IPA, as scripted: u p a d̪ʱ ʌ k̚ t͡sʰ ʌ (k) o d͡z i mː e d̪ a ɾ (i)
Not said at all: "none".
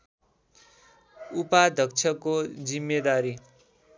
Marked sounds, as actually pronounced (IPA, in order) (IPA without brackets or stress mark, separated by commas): k, i